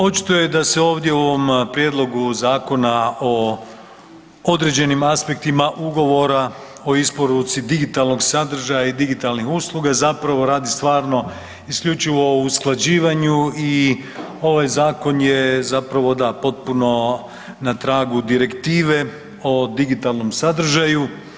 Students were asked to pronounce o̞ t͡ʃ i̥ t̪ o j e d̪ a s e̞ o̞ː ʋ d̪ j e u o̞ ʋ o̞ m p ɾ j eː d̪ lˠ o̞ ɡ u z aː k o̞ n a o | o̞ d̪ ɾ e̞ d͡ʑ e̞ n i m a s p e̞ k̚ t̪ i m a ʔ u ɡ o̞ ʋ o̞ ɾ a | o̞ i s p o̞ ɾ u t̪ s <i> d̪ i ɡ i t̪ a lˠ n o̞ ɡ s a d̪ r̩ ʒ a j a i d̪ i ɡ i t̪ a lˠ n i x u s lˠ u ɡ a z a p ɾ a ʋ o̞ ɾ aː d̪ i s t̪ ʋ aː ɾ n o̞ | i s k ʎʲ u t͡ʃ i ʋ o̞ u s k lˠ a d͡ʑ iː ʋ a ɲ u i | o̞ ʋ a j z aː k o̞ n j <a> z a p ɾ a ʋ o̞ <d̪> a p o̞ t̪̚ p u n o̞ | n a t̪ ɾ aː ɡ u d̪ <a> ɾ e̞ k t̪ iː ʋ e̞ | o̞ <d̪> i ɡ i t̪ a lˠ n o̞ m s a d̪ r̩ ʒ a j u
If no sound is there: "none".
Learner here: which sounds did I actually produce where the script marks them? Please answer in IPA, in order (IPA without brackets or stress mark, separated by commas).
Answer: i, e, d̪, i, d̪